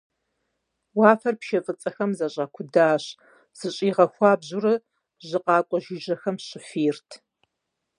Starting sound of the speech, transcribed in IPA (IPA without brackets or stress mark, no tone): w